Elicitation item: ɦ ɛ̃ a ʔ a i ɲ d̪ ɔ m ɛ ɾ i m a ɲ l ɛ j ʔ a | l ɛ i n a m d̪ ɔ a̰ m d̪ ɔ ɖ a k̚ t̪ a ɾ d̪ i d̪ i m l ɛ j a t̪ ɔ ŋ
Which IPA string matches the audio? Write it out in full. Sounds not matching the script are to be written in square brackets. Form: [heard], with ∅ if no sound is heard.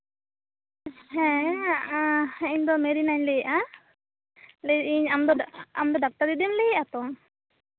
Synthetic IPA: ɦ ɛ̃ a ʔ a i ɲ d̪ ɔ m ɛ ɾ i [n] a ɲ l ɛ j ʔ a | l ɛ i [ɲ] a m d̪ ɔ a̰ m d̪ ɔ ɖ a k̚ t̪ a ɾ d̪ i d̪ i m l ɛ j a t̪ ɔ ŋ